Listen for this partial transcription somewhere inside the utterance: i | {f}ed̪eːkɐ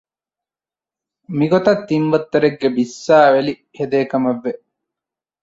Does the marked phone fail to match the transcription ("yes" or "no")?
yes